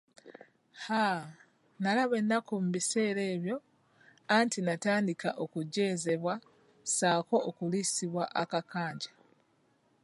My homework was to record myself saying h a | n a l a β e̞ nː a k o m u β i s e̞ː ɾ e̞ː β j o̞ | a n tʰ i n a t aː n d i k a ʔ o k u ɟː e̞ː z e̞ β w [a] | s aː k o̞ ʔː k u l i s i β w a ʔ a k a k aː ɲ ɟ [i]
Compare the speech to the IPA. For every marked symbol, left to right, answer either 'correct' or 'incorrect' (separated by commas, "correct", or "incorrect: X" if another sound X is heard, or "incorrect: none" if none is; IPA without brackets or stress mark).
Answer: correct, incorrect: a